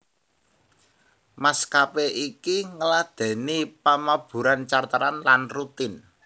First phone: m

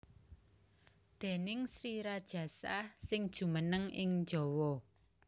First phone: d̪̥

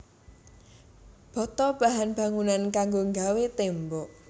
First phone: b̥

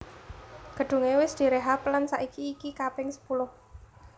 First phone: ɡ̥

